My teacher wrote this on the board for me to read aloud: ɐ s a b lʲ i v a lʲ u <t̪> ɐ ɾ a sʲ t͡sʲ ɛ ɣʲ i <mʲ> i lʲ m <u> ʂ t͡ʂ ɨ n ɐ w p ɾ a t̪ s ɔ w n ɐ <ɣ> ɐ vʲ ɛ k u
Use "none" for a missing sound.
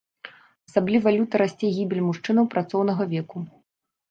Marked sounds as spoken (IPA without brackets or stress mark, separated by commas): t̪, bʲ, u, ɣ